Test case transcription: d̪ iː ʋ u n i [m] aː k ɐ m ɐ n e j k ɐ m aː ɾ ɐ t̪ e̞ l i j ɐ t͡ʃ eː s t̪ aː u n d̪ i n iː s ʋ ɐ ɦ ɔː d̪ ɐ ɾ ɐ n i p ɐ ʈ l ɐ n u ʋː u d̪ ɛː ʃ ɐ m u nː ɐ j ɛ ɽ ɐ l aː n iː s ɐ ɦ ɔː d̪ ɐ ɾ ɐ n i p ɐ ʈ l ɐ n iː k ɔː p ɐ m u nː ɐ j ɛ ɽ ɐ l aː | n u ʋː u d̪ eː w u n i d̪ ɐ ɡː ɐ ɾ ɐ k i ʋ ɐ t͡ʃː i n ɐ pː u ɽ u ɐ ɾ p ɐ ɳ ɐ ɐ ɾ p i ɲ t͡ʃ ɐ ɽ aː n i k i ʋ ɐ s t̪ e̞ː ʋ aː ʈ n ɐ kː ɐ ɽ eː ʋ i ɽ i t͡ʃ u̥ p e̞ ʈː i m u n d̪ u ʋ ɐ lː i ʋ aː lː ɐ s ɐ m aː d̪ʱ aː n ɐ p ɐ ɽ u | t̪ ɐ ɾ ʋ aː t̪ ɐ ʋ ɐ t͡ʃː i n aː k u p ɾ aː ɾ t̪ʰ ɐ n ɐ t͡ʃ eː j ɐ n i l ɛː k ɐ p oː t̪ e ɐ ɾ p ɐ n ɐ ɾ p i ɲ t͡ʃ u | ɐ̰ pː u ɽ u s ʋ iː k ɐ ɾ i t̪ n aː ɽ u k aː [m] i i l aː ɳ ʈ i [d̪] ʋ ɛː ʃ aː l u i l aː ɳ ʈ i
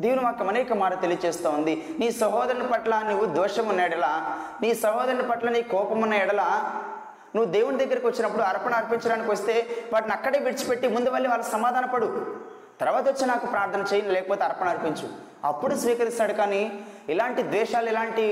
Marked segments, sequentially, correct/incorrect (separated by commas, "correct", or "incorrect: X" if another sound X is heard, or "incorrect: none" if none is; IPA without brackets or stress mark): correct, incorrect: n, correct